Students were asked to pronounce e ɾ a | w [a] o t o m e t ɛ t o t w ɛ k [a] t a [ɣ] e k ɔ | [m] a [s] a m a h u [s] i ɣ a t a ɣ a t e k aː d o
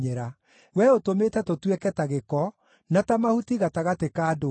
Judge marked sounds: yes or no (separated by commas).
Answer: no, no, yes, no, no, no